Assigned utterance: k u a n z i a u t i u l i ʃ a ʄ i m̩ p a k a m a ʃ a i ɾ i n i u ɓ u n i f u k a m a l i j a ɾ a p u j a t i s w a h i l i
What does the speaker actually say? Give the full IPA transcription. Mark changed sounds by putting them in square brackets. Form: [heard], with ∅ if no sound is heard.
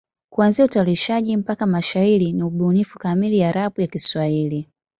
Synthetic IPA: k u a n z i a u t [a] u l i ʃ a ʄ i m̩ p a k a m a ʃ a i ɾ i n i u ɓ u n i f u k a m [i] l i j a ɾ a p u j a [k] i s w a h i l i